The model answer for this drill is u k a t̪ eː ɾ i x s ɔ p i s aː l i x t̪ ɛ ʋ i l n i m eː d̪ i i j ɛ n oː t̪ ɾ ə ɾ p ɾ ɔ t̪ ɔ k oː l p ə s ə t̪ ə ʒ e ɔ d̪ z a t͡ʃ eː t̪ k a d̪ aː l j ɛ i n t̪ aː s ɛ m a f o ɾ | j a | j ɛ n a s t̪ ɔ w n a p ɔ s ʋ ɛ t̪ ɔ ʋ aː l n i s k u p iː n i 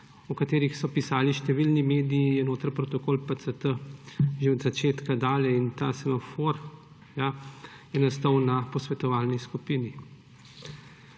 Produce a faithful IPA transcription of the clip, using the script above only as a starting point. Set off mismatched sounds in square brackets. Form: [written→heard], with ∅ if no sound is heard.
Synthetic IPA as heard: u k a t̪ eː ɾ i x s ɔ p i s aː l i [x→ʃ] t̪ ɛ ʋ i l n i m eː d̪ i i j ɛ n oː t̪ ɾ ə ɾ p ɾ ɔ t̪ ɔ k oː l p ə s ə t̪ ə ʒ e ɔ d̪ z a t͡ʃ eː t̪ k a d̪ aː l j ɛ i n t̪ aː s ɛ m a f o ɾ | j a | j ɛ n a s t̪ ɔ w n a p ɔ s ʋ ɛ t̪ ɔ ʋ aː l n i s k u p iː n i